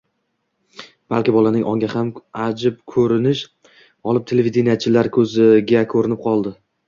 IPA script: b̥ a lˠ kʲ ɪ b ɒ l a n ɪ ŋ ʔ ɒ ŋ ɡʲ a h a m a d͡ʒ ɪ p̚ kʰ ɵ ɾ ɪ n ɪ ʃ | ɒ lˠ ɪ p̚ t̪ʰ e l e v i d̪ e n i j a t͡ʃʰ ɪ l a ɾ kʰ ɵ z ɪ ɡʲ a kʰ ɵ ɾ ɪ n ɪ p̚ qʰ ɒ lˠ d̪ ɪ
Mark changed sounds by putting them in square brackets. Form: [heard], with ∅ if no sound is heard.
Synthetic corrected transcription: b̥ a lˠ kʲ ɪ b ɒ l a n ɪ ŋ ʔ ɒ ŋ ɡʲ a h a m a d͡ʒ ɪ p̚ kʰ ɵ ɾ ɪ n ɪ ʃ | ɒ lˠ ɪ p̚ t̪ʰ e l e v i d̪ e n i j a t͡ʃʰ ɪ l a ɾ kʰ ɵ z ɪ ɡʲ a kʰ ɵ ɾ ɪ n ɪ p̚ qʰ ɒ lˠ d̪ ɪ